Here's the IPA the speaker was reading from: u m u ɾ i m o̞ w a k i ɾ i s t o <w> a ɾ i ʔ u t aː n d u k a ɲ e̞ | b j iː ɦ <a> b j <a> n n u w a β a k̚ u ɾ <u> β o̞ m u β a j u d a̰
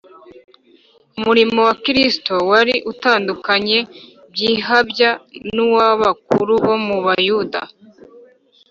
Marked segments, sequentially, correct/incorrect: correct, correct, correct, correct

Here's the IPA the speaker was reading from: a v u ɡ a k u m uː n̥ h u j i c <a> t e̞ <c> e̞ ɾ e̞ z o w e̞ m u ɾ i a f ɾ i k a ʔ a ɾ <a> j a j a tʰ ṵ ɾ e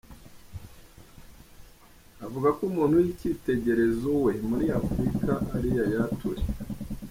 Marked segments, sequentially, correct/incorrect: incorrect, incorrect, incorrect

